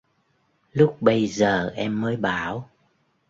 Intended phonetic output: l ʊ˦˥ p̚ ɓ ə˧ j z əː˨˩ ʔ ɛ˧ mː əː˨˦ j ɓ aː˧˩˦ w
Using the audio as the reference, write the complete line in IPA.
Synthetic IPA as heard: l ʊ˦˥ k͡p̚ ɓ ə˧ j z əː˨˩ ʔ ɛ˧ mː əː˨˦ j ɓ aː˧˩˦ w